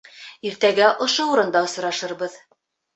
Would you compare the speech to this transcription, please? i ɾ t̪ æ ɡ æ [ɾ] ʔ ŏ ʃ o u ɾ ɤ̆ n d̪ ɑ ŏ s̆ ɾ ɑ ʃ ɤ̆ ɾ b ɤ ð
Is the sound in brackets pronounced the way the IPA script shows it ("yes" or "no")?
no